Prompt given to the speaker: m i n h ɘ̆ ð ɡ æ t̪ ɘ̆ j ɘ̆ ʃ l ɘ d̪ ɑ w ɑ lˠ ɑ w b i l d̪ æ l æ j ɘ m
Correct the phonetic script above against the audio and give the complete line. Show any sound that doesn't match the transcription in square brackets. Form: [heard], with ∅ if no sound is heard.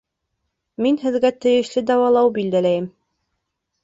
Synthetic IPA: m i n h ɘ̆ ð ɡ æ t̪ ɘ̆ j ɘ̆ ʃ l ɘ d̪ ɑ w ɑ lˠ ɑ w b i l d̪ æ l æ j ɘ m